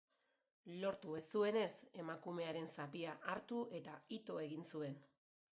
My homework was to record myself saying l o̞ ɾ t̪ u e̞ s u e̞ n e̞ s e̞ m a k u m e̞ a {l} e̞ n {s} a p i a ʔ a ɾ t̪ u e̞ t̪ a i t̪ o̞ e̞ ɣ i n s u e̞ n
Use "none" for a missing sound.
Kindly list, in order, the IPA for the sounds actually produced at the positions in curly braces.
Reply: ɾ, s

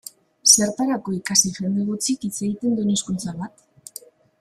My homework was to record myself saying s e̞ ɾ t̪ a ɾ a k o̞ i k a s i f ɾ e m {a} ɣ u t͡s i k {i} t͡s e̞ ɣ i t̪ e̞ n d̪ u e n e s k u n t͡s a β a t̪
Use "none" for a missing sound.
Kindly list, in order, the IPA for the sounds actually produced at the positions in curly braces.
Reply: e, i

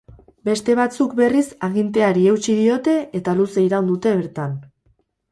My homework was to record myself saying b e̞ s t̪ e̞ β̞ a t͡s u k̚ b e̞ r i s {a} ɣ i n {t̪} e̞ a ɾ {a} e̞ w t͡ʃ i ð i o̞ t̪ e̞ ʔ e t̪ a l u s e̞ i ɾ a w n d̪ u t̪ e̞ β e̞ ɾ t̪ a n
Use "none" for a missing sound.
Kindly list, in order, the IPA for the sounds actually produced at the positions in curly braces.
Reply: a, t̪, i

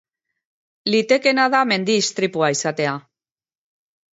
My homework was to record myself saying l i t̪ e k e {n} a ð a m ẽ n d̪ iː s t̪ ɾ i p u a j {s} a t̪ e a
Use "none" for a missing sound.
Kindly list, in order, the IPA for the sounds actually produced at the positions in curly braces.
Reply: n, s

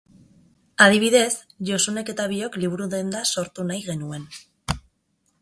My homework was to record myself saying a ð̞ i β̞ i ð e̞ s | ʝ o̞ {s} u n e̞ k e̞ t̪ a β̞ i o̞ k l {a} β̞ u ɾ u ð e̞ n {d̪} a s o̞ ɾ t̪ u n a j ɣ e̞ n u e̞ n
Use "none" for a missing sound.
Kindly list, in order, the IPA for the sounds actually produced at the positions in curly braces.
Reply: s, i, d̪

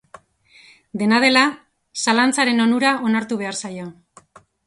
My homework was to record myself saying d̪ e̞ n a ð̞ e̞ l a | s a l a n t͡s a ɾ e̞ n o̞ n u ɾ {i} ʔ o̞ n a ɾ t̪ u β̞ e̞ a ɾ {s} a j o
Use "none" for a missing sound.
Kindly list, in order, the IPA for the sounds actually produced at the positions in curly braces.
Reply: a, s

